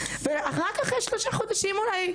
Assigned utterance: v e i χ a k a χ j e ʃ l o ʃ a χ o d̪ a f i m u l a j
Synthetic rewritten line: v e a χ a k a χ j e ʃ l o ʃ a χ o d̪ a ʃ i m u l a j